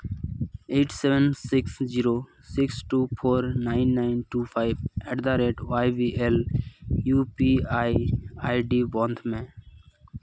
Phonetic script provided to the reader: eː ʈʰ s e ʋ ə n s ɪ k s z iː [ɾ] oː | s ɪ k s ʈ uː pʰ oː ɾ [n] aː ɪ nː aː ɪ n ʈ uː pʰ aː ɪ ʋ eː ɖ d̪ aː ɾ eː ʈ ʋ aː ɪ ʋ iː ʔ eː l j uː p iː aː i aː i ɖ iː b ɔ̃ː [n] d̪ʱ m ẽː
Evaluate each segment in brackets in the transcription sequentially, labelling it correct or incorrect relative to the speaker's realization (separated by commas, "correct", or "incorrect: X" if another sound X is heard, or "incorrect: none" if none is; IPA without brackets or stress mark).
correct, correct, correct